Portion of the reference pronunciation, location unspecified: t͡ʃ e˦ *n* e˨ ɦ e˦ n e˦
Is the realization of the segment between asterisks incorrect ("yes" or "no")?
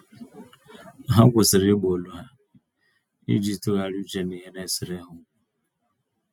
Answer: no